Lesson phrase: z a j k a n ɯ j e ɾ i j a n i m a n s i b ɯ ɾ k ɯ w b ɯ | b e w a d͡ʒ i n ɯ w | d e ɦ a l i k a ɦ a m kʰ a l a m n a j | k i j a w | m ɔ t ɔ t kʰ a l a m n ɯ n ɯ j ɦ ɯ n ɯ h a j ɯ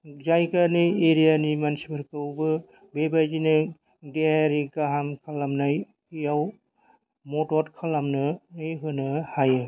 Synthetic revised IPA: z a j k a n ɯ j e ɾ i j a n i m a n s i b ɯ ɾ k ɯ w b ɯ | b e b a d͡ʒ i n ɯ | d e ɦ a ɾ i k a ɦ a m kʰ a l a m n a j | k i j a w | m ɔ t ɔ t kʰ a l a m n ɯ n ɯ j ɦ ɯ n ɯ h a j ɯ